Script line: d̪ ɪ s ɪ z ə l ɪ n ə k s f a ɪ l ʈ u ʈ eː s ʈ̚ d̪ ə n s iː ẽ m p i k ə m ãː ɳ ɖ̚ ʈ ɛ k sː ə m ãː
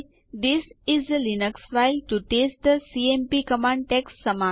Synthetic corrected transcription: d̪ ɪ s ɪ z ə l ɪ n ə k s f a ɪ l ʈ u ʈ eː s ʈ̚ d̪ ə s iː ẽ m p i k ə m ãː ɳ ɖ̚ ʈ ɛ k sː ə m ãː